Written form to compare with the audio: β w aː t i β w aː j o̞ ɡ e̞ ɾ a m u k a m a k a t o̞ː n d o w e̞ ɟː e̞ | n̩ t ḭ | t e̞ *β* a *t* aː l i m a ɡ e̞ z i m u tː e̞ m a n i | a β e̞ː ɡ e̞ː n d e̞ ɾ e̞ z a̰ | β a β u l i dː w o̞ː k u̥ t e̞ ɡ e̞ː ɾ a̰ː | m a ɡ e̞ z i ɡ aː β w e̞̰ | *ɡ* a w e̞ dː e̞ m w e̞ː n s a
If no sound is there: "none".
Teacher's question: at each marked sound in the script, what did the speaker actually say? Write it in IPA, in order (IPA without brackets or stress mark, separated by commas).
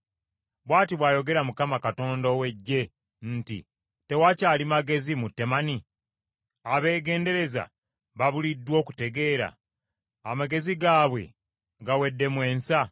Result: w, c, ɡ